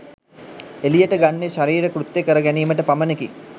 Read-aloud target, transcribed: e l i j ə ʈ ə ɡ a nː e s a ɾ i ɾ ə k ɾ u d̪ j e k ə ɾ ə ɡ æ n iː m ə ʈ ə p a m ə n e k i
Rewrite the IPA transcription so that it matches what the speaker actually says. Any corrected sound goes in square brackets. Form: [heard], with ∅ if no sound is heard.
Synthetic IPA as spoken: e l i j ə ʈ ə ɡ a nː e [ʃ] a ɾ [iː] ɾ ə k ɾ u [t̪] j e k ə ɾ ə ɡ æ n iː m ə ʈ ə p a m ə n e k i